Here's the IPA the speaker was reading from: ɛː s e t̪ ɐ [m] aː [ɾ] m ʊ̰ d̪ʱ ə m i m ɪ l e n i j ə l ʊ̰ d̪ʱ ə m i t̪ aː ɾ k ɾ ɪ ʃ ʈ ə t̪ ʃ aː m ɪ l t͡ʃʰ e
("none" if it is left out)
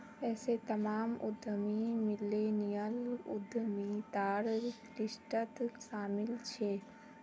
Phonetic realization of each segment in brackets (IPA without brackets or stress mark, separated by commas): m, none